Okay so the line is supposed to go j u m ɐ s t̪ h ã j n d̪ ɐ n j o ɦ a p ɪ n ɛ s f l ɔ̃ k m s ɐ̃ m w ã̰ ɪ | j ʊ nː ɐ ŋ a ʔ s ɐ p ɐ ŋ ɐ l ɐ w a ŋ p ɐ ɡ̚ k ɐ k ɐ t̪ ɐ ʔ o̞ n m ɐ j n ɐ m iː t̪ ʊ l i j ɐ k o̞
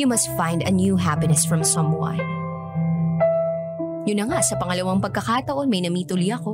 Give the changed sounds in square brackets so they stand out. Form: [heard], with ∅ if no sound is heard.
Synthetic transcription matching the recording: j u m ɐ s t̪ [f] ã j n d̪ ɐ n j [u] ɦ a p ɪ n ɛ s f [ɹ] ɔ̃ [∅] m s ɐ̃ m w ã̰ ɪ | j ʊ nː ɐ ŋ a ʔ s ɐ p ɐ ŋ ɐ l ɐ w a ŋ p ɐ ɡ̚ k ɐ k [a] t̪ ɐ ʔ o̞ n m ɐ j n ɐ m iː t̪ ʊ l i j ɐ k o̞